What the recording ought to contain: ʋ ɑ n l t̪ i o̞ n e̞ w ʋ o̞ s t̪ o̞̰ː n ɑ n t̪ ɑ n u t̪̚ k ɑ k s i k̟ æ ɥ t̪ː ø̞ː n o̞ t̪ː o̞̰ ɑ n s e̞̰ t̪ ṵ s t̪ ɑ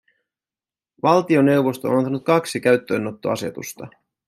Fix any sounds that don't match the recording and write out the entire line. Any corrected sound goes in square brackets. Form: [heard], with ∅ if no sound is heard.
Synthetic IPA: ʋ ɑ [∅] l t̪ i o̞ n e̞ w ʋ o̞ s t̪ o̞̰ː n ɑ n t̪ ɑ n u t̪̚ k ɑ k s i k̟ æ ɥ t̪ː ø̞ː n o̞ t̪ː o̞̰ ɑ [∅] s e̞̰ t̪ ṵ s t̪ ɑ